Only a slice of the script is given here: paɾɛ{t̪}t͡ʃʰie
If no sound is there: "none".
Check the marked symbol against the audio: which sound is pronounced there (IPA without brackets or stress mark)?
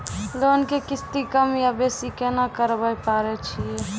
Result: none